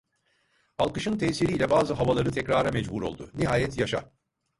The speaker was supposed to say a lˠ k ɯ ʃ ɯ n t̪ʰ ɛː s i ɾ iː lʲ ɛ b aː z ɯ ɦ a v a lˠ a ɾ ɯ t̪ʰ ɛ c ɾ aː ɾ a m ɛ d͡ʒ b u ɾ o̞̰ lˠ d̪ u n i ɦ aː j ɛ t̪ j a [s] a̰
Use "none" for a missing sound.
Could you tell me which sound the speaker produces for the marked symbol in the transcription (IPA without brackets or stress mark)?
ʃ